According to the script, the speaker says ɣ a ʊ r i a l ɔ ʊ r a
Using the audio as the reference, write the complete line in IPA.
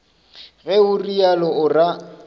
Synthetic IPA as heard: ɣ ɛ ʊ r i a l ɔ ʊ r a